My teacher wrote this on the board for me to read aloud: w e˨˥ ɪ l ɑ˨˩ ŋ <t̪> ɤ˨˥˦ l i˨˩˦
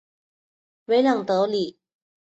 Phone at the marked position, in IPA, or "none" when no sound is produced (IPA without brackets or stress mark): t̪